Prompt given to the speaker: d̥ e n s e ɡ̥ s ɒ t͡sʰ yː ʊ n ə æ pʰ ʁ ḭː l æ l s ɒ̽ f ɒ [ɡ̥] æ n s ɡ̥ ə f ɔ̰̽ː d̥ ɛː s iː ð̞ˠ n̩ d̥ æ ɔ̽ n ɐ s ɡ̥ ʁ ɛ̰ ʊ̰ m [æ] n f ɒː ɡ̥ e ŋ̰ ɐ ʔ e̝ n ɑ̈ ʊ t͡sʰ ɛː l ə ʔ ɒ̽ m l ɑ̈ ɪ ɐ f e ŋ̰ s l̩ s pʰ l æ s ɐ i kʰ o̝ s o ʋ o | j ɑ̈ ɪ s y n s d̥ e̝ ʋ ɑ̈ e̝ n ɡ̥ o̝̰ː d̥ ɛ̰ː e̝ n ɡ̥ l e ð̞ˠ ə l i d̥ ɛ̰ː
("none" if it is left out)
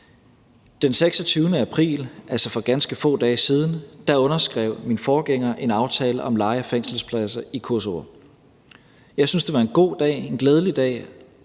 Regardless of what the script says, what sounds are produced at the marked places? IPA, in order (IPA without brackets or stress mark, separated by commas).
ɡ̥, i